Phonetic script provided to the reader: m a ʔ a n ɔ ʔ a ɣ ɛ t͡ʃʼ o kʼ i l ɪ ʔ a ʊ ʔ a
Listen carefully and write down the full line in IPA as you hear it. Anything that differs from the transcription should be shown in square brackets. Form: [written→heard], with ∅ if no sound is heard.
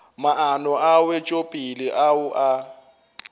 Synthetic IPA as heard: m a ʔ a n ɔ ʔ a [ɣ→w] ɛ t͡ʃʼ o [kʼ→pʼ] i l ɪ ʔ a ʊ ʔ a